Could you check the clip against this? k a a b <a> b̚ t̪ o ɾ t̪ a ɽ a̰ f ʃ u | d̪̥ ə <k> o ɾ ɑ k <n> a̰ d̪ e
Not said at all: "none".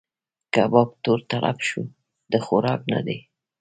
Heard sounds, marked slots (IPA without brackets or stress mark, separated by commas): ɑ, x, n